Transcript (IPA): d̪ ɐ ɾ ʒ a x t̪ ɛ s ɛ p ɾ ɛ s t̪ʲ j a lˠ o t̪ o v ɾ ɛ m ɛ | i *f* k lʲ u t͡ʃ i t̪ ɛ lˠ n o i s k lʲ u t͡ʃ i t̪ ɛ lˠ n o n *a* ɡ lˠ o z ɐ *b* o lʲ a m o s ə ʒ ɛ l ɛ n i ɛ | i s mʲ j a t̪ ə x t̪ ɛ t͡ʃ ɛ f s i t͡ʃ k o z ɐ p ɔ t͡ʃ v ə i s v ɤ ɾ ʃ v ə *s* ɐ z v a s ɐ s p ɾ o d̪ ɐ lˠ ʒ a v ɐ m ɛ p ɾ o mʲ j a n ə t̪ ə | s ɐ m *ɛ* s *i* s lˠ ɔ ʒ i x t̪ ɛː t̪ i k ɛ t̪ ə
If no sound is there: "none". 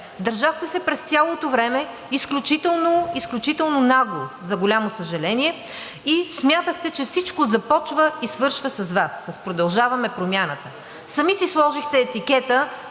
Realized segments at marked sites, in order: s, a, ɡ, s, i, i

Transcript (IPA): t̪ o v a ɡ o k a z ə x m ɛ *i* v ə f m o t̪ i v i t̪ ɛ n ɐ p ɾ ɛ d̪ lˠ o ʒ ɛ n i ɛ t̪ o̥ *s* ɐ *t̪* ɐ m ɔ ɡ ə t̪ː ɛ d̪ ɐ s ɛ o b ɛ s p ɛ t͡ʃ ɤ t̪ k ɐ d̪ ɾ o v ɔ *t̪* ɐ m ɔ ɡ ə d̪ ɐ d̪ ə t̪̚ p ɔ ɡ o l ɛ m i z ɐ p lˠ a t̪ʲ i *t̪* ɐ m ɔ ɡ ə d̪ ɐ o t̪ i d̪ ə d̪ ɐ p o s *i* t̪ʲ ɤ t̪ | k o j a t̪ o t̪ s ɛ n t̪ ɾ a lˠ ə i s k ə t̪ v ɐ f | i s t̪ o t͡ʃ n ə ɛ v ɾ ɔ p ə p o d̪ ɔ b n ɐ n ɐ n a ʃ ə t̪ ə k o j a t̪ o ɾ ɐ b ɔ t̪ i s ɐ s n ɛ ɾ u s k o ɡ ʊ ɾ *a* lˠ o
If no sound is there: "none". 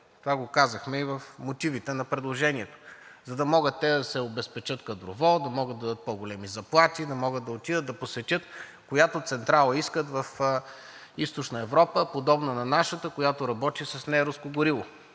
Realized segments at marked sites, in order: i, z, d̪, d̪, d̪, ɛ, i

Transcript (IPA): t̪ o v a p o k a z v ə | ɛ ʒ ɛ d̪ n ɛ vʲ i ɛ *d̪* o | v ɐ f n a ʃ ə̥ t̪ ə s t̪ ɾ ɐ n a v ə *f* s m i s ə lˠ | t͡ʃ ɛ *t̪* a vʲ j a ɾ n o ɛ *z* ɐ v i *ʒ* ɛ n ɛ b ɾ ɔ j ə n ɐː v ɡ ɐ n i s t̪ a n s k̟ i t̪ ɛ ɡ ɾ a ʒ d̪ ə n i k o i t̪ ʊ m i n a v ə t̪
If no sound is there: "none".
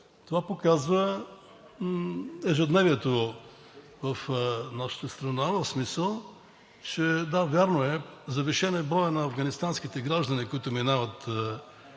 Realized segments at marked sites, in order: t̪, f, d̪, z, ʃ

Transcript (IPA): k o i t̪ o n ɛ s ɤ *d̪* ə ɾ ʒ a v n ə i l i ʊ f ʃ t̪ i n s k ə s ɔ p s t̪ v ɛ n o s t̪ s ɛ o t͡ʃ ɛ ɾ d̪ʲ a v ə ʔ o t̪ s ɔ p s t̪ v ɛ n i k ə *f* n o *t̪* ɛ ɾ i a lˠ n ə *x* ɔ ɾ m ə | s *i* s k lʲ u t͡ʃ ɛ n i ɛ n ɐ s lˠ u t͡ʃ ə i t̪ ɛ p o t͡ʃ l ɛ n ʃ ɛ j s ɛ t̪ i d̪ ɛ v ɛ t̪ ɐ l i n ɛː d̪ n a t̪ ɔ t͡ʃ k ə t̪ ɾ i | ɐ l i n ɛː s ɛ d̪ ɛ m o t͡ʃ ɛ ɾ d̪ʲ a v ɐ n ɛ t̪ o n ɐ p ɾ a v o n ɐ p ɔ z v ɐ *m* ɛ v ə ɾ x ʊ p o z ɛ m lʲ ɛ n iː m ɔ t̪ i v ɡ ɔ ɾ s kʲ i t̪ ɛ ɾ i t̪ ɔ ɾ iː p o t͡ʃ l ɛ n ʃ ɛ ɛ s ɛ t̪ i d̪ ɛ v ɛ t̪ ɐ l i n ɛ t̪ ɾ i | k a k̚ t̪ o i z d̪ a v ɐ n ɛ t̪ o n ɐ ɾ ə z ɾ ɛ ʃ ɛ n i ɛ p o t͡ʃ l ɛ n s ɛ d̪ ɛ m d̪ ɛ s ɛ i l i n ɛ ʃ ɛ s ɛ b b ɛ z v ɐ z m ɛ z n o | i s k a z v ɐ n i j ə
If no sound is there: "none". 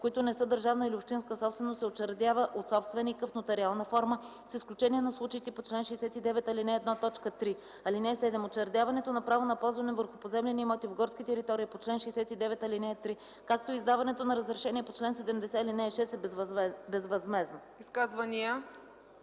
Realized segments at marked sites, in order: d̪, f, t̪, f, i, n

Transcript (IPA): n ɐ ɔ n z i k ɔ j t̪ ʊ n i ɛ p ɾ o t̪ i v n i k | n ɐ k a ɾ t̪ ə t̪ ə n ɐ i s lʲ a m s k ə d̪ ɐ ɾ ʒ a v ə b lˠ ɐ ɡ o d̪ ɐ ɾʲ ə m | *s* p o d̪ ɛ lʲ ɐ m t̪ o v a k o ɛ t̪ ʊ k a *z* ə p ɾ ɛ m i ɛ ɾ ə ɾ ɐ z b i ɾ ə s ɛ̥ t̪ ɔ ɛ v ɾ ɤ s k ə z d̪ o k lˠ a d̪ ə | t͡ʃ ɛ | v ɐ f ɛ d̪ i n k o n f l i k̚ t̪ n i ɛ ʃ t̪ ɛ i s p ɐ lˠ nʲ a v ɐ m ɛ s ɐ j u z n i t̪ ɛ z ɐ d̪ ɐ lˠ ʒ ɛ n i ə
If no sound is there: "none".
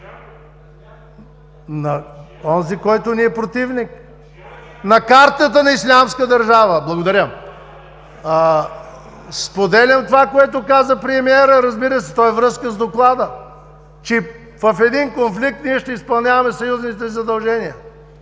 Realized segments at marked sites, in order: s, z

